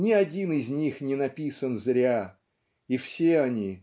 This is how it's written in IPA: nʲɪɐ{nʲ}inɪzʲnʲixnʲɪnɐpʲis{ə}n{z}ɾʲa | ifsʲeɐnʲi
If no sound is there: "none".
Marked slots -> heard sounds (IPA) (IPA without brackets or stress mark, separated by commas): dʲ, ə, z